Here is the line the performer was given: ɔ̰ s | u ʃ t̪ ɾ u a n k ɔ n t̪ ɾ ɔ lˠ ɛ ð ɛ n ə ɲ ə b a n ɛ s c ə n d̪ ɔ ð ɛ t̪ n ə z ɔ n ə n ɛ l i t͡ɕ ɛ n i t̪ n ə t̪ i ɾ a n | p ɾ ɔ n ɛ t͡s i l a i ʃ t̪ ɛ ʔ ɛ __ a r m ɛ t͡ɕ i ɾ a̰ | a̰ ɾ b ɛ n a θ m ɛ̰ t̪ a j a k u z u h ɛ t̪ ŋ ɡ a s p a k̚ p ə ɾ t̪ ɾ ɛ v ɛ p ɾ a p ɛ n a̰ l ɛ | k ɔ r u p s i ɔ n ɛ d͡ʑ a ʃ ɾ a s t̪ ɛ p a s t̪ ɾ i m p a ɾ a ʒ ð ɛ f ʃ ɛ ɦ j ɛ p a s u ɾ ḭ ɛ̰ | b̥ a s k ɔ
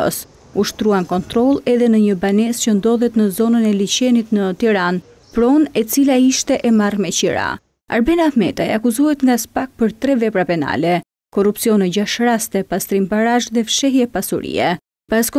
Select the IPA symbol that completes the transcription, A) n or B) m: B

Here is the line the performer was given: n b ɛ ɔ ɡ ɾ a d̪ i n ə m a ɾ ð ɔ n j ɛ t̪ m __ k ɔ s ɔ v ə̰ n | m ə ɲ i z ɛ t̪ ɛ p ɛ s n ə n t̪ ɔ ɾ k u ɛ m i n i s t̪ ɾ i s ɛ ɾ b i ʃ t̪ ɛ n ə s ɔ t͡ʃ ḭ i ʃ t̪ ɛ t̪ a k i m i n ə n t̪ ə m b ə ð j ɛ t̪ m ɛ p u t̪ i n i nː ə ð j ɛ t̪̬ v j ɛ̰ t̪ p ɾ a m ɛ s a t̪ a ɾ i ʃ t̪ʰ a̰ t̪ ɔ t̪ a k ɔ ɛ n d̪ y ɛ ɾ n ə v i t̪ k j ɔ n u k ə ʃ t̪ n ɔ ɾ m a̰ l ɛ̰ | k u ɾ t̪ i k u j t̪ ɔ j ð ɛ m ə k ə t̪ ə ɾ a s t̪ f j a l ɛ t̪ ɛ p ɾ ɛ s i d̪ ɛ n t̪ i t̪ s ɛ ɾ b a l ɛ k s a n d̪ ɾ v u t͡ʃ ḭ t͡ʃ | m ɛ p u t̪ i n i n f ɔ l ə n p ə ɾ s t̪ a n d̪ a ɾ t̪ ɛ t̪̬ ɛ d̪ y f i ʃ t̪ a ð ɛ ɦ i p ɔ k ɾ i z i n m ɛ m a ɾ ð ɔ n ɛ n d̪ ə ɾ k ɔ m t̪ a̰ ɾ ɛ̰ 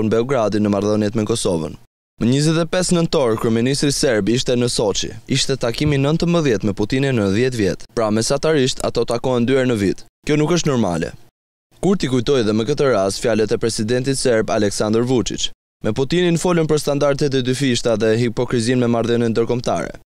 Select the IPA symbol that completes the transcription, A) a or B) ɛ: B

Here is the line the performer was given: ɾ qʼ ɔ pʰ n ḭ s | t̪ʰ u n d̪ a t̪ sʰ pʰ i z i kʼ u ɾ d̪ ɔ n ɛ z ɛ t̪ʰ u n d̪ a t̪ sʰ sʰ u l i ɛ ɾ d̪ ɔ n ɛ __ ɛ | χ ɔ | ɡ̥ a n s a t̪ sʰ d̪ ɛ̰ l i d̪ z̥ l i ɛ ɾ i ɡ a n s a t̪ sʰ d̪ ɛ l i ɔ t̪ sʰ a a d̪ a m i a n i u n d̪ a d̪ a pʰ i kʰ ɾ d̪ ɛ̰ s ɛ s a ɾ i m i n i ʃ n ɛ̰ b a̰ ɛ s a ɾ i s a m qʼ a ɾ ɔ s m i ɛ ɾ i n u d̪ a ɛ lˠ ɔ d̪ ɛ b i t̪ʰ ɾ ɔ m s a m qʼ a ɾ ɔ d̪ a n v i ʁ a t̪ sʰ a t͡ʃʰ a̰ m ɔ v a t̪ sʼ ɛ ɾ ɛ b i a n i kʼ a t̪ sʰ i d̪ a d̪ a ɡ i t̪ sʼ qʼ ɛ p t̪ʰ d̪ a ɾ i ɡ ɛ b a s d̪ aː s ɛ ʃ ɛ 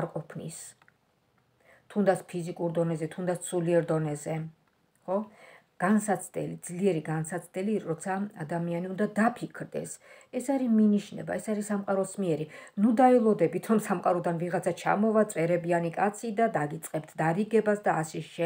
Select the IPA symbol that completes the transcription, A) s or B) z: B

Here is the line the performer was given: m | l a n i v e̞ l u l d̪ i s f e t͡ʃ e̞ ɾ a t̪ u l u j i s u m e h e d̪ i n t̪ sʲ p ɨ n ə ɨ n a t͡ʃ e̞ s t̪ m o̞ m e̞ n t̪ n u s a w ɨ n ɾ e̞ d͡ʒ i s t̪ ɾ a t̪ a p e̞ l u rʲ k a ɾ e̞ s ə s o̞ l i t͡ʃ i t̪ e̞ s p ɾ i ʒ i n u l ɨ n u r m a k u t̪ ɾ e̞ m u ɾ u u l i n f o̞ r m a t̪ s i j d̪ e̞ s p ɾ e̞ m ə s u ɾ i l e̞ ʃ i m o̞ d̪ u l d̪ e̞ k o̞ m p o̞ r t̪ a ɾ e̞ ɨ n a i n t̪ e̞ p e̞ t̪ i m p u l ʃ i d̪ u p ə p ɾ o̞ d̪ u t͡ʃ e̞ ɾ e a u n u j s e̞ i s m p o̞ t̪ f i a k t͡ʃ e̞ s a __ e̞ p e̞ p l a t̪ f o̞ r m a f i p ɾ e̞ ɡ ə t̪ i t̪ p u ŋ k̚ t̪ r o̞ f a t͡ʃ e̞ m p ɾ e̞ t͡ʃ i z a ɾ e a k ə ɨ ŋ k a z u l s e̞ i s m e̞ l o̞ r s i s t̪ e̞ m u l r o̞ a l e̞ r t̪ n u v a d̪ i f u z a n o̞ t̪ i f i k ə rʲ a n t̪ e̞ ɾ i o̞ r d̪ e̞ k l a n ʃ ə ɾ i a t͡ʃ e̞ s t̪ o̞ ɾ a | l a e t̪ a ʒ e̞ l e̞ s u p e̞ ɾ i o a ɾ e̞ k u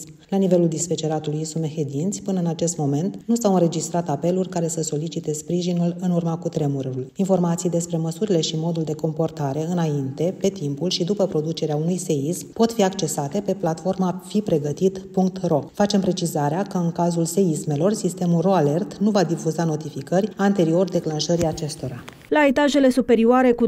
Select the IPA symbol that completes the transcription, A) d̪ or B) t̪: B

